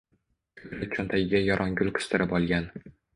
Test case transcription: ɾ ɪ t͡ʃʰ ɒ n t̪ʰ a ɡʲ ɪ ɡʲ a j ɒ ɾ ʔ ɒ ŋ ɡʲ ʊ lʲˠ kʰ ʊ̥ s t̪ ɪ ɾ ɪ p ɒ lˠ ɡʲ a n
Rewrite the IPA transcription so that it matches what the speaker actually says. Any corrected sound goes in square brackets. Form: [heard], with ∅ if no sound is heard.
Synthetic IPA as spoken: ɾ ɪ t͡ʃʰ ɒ n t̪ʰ a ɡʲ ɪ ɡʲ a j ɒ ɾ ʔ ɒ ŋ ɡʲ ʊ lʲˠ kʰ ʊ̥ s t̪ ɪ ɾ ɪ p ɒ lˠ ɡʲ a n